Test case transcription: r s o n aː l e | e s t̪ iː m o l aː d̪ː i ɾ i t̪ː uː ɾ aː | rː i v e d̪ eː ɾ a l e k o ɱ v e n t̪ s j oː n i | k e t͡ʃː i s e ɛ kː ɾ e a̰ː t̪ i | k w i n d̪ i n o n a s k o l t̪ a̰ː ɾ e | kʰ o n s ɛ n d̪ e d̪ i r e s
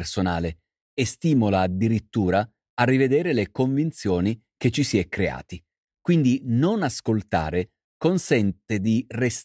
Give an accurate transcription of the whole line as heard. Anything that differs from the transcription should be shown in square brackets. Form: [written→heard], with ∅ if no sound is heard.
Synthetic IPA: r s o n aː l e | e s t̪ iː m o l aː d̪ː i ɾ i t̪ː uː ɾ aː | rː i v e d̪ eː ɾ [a→e] l e k o ɱ v [e→i] n t̪ s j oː n i | k e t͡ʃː i s [e→i] ɛ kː ɾ e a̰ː t̪ i | k w i n d̪ i n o n a s k o l t̪ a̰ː ɾ e | [kʰ→k] o n s ɛ n [d̪→t̪] e d̪ i r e s